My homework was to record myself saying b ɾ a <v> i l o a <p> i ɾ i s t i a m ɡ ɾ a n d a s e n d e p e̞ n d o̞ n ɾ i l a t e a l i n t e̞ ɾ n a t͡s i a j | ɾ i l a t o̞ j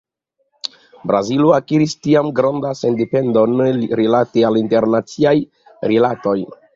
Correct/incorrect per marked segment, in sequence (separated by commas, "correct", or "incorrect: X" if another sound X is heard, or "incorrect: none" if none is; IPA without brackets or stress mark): incorrect: z, incorrect: k